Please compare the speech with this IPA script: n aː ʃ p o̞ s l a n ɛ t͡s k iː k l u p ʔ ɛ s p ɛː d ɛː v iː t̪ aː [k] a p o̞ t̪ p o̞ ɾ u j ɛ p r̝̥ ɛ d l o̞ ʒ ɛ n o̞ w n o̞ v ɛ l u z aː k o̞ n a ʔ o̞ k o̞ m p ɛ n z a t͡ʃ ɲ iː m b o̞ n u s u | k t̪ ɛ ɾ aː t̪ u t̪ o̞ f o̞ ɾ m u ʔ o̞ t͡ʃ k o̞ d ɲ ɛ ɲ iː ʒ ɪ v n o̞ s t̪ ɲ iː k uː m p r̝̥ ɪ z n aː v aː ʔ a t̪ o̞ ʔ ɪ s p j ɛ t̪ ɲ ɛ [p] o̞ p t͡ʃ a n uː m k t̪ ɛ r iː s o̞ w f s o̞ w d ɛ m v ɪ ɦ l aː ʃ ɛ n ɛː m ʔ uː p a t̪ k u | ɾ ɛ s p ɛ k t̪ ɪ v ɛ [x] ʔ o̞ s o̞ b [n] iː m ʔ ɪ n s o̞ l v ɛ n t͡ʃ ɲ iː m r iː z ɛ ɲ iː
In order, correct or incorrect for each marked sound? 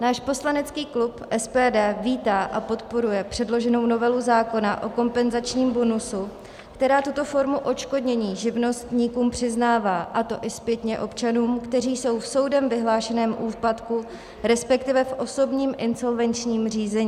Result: incorrect, incorrect, incorrect, incorrect

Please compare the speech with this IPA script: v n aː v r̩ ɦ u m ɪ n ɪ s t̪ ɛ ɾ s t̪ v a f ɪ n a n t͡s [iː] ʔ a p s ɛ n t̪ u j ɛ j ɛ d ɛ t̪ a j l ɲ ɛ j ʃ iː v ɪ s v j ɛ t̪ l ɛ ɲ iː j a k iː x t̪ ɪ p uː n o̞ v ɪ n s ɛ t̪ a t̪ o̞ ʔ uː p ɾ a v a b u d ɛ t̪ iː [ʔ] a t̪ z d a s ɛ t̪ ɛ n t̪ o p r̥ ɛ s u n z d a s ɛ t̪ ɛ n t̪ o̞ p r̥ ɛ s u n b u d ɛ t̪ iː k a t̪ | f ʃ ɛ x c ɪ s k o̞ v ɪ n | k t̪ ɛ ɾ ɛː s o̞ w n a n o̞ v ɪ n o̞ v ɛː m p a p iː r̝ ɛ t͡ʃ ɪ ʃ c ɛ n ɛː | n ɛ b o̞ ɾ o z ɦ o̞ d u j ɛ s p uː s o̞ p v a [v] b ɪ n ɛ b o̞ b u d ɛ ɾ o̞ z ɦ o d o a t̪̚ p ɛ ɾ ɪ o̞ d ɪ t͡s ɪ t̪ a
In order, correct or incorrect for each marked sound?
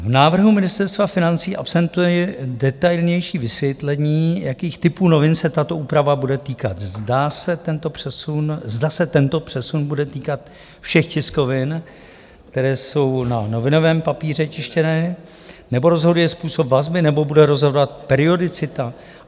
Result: correct, incorrect, incorrect

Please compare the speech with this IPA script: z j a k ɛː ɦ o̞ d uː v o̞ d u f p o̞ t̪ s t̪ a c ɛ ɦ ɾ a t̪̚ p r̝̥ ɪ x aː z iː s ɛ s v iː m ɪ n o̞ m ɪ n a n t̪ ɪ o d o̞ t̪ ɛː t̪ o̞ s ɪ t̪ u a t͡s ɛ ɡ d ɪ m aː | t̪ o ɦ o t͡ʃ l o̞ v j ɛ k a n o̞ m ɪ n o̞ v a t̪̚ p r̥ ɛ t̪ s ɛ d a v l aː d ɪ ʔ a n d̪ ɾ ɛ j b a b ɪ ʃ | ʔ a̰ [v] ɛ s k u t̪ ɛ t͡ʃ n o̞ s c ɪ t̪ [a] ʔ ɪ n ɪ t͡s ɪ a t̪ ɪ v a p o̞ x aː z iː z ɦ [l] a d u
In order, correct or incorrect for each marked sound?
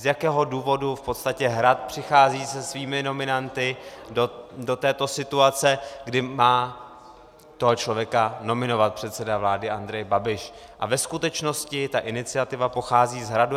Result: correct, correct, incorrect

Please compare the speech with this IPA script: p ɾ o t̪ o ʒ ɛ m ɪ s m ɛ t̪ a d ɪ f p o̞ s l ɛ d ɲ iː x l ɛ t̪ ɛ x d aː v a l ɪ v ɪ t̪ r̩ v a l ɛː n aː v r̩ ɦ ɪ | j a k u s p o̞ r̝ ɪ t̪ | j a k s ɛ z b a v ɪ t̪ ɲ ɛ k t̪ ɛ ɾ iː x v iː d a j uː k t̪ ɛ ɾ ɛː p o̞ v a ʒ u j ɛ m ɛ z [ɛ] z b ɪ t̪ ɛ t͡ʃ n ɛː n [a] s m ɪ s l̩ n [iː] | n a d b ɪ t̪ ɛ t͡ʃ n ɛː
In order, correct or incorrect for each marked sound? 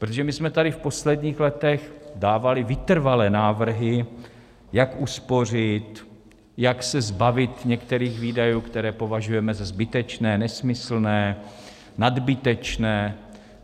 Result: incorrect, incorrect, incorrect

